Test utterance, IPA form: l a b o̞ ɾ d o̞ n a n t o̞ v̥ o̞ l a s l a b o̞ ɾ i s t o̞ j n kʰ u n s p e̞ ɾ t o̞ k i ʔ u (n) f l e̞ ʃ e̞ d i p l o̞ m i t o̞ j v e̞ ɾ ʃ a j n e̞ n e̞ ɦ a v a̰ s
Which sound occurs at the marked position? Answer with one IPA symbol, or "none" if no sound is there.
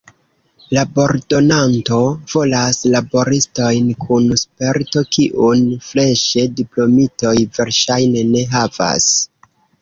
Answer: n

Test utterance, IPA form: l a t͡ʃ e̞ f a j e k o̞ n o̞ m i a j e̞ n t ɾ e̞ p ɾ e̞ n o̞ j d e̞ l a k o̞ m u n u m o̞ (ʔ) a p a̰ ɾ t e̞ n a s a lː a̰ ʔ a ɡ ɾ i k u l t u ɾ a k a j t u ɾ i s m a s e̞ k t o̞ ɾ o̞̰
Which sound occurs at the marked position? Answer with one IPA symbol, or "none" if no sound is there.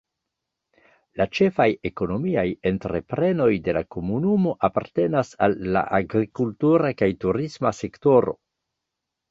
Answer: ʔ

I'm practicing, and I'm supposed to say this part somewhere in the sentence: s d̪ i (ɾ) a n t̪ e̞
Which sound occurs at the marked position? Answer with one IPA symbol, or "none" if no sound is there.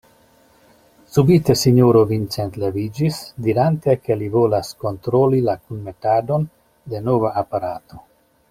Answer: ɾ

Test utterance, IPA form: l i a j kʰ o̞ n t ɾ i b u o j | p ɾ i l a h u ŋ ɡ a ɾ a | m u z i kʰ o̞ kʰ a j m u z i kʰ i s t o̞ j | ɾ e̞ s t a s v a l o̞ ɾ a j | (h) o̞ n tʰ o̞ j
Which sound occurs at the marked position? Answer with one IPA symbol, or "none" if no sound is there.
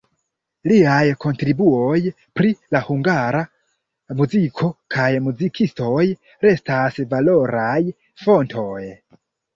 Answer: f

